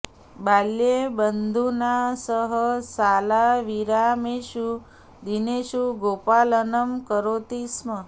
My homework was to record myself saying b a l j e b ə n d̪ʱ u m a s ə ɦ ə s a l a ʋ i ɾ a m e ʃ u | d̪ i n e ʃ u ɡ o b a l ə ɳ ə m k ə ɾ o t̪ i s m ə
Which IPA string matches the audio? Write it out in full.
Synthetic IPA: b a l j e b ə n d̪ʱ u n a s ə ɦ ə s a l a ʋ i ɾ a m e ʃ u | d̪ i n e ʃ u ɡ o p a l ə n ə m k ə ɾ o t̪ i s m ə